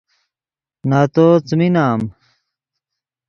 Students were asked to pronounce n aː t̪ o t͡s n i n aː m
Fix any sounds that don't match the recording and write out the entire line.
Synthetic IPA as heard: n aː t̪ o t͡s m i n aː m

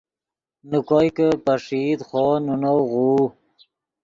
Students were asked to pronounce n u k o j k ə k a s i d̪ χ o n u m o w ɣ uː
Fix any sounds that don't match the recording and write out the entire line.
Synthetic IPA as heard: n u k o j k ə p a ʂ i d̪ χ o n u n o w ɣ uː

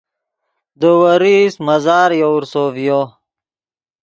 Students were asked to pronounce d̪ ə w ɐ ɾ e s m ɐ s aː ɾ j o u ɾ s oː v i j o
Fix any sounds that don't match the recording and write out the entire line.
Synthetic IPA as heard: d̪ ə w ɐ ɾ i s m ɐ z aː ɾ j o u ɾ s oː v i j o

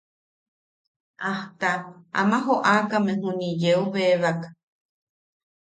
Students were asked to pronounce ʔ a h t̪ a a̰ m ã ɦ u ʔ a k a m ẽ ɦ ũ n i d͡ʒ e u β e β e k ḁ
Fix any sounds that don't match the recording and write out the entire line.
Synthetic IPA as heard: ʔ a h t̪ a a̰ m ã ɦ o ʔ a k a m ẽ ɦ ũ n i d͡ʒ e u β e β a k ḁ

